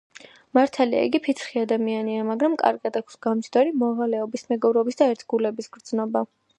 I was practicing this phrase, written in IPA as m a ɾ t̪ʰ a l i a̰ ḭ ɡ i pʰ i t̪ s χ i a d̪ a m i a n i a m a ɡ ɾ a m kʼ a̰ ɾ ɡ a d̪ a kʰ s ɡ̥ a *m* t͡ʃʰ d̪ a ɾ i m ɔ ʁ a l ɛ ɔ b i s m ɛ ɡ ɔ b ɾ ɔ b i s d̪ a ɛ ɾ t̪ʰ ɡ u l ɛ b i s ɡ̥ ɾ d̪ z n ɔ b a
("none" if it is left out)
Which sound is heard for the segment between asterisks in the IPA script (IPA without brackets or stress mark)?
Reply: m